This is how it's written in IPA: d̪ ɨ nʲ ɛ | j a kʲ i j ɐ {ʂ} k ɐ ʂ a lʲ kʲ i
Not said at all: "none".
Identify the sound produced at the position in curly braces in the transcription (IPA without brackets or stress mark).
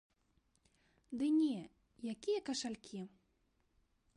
none